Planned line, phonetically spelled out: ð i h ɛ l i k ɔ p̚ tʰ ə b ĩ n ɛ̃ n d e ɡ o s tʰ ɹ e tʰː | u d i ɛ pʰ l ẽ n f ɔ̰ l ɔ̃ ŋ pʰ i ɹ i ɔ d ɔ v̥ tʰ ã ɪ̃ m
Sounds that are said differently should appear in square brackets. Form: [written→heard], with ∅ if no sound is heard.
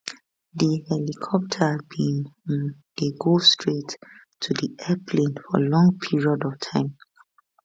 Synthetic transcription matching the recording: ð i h ɛ l i [k→kʰ] ɔ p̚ tʰ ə b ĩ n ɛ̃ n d e ɡ o s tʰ ɹ e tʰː | u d i ɛ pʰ l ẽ n f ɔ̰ l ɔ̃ ŋ pʰ i ɹ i ɔ d ɔ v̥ tʰ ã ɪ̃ m